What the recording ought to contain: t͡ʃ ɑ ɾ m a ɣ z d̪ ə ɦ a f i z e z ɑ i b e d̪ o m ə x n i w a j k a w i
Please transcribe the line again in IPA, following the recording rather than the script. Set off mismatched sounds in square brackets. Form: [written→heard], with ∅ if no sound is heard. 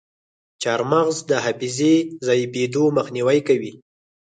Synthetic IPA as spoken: t͡ʃ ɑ ɾ m a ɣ z d̪ ə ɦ a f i z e z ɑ [i→j] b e d̪ o m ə x n i w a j k a w i